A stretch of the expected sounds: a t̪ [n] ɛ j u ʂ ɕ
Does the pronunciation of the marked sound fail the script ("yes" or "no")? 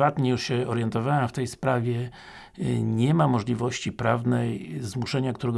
yes